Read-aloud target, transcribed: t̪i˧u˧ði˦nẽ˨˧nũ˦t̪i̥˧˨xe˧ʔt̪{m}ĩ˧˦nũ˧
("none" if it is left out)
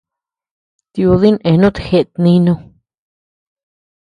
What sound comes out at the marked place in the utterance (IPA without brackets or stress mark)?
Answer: n